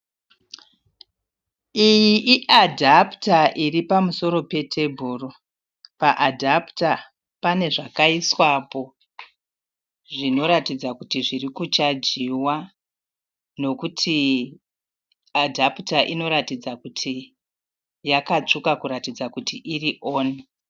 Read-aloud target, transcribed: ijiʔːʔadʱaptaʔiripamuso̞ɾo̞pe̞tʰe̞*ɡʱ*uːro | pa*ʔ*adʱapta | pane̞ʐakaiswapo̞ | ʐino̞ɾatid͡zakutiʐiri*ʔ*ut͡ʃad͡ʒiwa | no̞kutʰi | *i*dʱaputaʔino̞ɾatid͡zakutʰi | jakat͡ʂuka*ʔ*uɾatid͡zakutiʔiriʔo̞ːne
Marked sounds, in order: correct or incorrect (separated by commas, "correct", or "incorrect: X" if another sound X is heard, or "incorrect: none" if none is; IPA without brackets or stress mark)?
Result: incorrect: bʱ, correct, incorrect: k, incorrect: a, incorrect: k